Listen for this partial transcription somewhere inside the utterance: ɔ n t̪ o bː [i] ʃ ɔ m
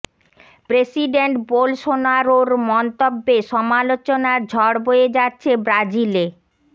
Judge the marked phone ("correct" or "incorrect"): incorrect